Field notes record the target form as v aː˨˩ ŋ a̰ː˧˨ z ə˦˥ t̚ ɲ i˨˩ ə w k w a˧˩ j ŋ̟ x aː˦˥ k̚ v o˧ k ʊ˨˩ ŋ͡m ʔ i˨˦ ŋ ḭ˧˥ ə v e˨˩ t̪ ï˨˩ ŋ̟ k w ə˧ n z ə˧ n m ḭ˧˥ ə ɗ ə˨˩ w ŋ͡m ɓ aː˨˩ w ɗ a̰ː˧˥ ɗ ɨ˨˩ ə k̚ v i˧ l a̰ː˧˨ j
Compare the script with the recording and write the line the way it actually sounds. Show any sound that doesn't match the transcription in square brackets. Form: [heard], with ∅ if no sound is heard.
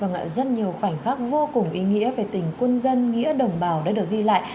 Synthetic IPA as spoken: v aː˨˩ ŋ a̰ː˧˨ z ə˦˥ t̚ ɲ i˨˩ ə w [x] w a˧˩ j ŋ̟ x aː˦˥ k̚ v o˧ k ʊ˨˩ ŋ͡m ʔ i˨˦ ŋ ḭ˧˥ ə v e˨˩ t̪ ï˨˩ ŋ̟ k w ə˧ n z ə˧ n [ŋ] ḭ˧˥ ə ɗ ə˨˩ w ŋ͡m ɓ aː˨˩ w ɗ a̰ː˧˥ ɗ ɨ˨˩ ə k̚ [ɣ] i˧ l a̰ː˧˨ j